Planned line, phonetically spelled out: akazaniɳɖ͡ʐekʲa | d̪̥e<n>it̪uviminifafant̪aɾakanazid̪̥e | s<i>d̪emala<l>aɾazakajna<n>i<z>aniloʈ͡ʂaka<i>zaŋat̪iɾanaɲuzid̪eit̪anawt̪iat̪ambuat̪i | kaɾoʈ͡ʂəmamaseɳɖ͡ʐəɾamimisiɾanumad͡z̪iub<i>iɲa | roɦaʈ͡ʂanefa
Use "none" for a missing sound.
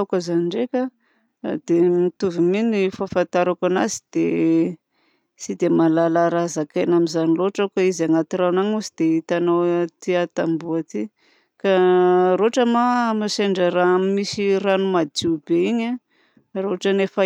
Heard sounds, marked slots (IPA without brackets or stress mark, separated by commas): m, i, l, m, z, i, e